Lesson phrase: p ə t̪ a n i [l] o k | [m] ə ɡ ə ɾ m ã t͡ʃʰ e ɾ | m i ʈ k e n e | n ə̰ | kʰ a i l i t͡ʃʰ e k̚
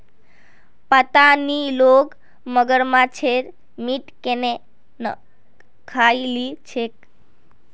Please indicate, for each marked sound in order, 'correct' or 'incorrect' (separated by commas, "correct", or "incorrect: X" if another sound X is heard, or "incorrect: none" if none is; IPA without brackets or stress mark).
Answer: correct, correct